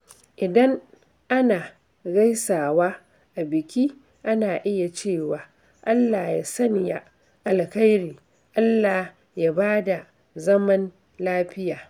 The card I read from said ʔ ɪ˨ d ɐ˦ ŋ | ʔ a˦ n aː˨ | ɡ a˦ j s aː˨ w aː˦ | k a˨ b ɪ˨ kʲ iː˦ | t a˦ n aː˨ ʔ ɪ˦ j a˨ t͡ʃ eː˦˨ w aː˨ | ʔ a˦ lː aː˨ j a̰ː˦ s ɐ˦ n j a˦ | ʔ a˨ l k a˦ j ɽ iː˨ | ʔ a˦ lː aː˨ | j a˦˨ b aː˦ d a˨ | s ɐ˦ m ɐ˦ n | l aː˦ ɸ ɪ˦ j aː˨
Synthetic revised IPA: ʔ ɪ˨ d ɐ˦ ŋ | ʔ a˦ n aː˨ | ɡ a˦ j s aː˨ w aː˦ | ʔ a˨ b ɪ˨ kʲ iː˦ | ʔ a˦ n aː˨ ʔ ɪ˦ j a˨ t͡ʃ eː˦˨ w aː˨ | ʔ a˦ lː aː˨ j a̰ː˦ s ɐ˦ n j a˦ | ʔ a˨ l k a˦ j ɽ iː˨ | ʔ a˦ lː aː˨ | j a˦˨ b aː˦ d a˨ | z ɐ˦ m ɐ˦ n | l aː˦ ɸ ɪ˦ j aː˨